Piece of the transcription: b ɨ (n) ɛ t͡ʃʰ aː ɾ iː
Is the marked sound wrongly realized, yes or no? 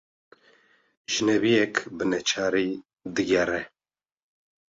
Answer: no